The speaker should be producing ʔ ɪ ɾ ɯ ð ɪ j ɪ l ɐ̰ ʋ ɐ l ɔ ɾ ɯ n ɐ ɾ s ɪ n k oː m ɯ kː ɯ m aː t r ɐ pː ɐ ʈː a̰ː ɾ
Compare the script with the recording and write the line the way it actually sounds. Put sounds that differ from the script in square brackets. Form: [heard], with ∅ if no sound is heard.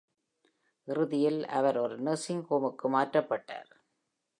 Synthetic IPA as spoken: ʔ ɪ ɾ ɯ ð ɪ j ɪ l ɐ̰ ʋ ɐ [ɾ] ɔ ɾ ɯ n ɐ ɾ s ɪ [ŋ] k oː m ɯ kː ɯ m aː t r ɐ pː ɐ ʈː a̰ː ɾ